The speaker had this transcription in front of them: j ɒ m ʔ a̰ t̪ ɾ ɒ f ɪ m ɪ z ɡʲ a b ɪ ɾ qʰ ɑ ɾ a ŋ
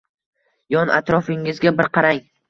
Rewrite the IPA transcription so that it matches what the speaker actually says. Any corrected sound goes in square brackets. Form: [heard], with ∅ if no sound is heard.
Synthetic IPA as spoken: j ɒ [n] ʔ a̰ t̪ ɾ ɒ f ɪ [ŋ] ɪ z ɡʲ a b ɪ ɾ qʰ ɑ ɾ a ŋ